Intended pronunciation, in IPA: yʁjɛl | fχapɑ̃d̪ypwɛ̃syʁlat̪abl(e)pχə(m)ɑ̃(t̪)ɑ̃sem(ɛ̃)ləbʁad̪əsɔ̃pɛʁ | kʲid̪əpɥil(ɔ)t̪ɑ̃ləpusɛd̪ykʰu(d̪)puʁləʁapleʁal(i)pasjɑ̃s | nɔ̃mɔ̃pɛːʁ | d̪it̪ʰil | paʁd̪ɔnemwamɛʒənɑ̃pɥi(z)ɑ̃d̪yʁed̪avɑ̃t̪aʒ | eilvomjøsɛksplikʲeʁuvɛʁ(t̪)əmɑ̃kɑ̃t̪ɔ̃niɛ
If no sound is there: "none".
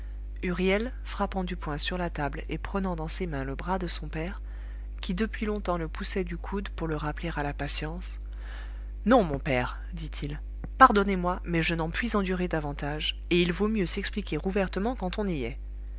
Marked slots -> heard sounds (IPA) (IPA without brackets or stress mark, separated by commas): e, n, d̪, ɛ̃, ɔ̃, d̪, a, z, t̪